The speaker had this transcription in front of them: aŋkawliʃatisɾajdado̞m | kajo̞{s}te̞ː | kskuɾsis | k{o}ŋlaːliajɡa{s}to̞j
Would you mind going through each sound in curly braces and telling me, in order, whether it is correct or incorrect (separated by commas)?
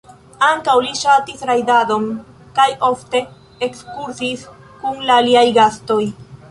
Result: incorrect, incorrect, correct